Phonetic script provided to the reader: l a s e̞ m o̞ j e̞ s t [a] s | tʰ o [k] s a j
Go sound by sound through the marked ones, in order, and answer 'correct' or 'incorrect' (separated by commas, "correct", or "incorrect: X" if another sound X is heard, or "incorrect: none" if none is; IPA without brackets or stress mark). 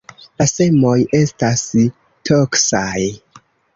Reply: correct, correct